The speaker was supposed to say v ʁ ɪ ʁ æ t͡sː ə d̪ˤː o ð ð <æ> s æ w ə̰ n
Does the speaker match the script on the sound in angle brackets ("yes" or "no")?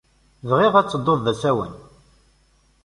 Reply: yes